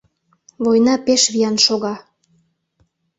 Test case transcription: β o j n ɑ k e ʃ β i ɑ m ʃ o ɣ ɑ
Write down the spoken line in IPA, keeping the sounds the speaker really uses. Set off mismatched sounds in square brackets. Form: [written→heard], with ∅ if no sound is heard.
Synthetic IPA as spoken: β o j n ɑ [k→p] e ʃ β i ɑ [m→n] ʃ o ɣ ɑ